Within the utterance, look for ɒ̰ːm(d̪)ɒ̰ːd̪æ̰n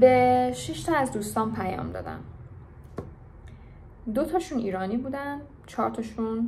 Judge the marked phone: correct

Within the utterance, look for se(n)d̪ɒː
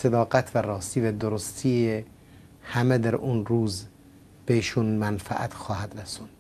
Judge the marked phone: incorrect: none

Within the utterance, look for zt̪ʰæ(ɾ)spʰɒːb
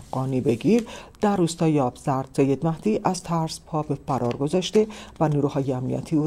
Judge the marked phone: correct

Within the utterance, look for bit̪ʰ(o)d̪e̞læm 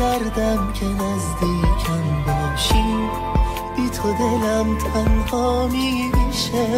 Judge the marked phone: correct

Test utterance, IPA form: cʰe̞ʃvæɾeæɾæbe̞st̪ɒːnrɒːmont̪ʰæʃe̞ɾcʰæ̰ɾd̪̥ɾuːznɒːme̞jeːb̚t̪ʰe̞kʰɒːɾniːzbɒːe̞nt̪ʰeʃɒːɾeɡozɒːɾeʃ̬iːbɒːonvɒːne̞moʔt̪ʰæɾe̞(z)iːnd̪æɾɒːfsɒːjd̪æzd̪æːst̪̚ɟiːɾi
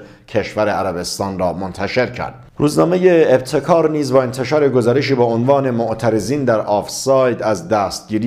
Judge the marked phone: correct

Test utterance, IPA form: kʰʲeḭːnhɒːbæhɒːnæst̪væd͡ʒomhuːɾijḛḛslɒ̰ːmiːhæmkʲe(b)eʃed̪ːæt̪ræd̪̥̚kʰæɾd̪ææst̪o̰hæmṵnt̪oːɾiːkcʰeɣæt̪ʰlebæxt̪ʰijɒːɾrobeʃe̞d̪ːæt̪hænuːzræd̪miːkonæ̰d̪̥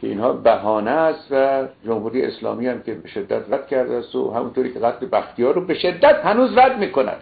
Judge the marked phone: correct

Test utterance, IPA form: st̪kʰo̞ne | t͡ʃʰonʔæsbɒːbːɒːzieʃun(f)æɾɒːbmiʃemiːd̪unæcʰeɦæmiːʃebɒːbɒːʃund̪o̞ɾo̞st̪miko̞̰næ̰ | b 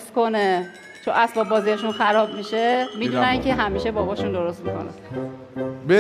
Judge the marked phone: incorrect: x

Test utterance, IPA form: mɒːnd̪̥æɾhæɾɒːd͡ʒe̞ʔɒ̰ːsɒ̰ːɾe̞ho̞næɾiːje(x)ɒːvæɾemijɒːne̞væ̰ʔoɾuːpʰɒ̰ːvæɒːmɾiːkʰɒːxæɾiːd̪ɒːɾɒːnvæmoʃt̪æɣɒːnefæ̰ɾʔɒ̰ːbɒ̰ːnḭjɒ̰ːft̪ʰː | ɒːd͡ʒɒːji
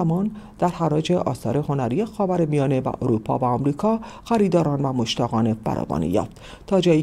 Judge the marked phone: correct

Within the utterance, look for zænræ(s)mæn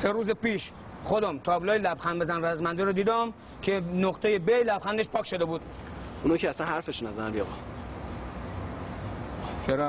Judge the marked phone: incorrect: z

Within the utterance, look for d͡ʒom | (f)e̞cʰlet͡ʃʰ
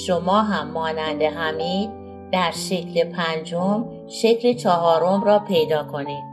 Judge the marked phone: incorrect: ʃ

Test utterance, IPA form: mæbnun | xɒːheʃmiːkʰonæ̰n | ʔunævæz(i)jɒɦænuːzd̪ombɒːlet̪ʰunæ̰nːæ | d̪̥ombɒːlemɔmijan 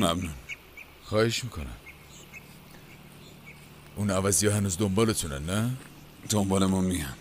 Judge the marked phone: correct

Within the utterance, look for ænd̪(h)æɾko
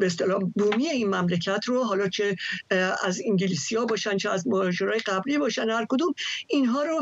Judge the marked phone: correct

